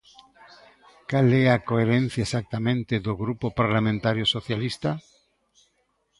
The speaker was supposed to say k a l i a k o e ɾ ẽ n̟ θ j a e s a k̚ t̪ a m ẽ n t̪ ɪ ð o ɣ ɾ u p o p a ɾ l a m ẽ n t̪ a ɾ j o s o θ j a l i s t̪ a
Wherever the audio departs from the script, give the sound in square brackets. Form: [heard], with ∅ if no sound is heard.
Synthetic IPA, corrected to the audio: k a l [ɛ] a k o e ɾ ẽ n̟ θ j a e s a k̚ t̪ a m ẽ n t̪ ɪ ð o ɣ ɾ u p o p a ɾ l a m ẽ n t̪ a ɾ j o s o θ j a l i s t̪ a